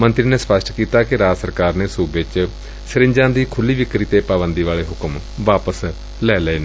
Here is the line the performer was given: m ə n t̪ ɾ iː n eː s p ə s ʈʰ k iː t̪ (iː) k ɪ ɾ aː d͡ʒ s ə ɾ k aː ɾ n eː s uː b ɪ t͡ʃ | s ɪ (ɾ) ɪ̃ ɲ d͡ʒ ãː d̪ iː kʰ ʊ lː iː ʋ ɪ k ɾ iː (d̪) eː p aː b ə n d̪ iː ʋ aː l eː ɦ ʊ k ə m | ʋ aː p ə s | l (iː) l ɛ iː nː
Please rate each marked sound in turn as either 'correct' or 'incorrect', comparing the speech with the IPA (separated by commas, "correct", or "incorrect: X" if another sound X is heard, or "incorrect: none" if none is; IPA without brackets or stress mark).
incorrect: aː, correct, incorrect: t̪, incorrect: ɛː